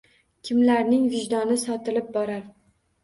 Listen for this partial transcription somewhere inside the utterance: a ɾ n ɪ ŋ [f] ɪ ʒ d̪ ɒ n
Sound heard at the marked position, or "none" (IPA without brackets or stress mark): v